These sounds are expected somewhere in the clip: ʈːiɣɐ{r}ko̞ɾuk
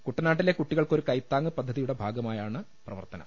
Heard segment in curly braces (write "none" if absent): ɭ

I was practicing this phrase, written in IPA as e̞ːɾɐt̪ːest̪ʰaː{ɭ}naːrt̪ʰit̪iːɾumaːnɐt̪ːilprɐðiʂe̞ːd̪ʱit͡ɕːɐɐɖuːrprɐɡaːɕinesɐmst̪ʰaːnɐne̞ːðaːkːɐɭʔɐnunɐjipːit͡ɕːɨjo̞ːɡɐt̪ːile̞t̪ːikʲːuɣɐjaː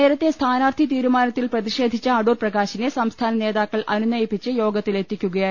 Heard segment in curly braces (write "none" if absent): none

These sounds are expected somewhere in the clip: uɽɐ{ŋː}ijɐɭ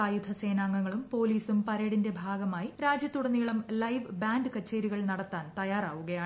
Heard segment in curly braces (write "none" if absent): nː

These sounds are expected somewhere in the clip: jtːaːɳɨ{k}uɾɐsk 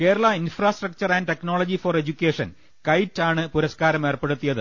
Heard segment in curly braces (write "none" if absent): p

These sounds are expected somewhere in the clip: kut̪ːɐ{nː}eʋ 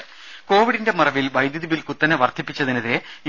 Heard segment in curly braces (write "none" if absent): n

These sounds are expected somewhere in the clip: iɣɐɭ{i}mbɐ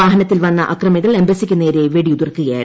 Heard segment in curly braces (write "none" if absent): e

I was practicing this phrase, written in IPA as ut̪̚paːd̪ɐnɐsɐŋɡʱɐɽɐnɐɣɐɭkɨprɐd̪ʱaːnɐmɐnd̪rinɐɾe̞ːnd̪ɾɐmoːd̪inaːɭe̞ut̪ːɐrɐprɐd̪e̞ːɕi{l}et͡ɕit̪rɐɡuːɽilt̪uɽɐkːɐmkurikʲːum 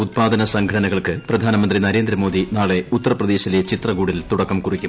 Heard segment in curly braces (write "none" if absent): l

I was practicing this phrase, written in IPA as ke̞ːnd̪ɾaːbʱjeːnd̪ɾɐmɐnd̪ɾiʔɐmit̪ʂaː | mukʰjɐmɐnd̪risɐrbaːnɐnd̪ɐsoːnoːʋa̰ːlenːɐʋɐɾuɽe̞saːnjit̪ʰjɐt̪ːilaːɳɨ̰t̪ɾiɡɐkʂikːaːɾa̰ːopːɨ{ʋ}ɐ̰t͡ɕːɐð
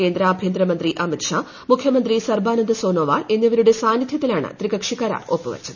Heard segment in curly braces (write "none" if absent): ʋ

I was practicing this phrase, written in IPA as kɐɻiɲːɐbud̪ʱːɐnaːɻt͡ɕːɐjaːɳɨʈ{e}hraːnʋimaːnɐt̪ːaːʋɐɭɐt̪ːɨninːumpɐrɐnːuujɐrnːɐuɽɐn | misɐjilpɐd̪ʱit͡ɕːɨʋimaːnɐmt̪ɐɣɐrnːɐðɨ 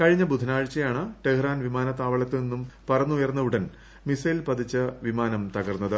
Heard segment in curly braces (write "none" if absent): e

